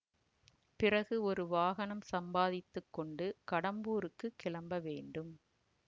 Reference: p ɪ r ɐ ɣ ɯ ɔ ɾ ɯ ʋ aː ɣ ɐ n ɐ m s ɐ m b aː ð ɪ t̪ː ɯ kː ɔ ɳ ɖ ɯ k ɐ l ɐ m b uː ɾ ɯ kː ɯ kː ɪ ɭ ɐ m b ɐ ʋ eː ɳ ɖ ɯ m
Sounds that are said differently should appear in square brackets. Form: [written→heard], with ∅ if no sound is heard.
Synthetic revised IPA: p ɪ r ɐ ɣ ɯ ɔ ɾ ɯ ʋ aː ɣ ɐ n ɐ m s ɐ m b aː ð ɪ t̪ː ɯ kː ɔ ɳ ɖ ɯ k ɐ [l→ɽ] ɐ m b uː ɾ ɯ kː ɯ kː ɪ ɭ ɐ m b ɐ ʋ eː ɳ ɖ ɯ m